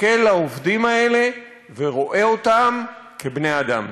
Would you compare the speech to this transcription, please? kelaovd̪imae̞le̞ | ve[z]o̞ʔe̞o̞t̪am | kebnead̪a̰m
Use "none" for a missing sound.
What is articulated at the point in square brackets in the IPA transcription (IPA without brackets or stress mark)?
ʁ